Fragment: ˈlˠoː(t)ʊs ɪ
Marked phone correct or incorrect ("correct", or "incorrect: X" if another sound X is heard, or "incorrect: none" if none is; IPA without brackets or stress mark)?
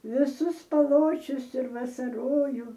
incorrect: t͡ʃʲ